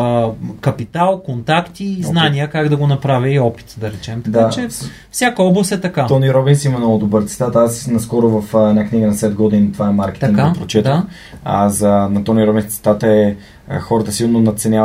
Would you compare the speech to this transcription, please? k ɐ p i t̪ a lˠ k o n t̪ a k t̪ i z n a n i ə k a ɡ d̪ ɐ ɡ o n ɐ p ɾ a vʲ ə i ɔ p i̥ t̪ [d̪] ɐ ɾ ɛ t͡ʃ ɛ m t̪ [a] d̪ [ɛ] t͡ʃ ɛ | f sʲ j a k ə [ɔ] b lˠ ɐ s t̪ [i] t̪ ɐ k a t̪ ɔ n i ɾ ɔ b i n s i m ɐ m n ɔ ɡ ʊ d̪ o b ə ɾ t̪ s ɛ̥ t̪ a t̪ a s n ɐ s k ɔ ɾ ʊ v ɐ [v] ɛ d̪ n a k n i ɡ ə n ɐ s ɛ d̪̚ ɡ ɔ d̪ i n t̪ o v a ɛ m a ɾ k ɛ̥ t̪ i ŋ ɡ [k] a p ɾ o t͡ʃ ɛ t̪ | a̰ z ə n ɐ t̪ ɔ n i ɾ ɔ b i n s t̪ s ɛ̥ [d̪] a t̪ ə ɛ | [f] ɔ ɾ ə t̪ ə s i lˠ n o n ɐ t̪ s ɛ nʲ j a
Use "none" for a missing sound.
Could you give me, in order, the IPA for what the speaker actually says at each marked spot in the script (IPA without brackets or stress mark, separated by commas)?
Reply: d̪, ɐ, a, ɔ, ɛ, f, k, t̪, x